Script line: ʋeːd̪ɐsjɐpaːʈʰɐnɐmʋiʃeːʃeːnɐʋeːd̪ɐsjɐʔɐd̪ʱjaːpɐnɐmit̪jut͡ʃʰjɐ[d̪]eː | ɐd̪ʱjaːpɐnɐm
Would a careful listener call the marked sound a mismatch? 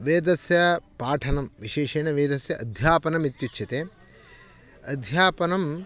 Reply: yes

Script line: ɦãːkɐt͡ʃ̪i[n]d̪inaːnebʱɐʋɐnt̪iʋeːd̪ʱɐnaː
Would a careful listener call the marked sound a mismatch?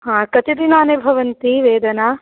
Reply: yes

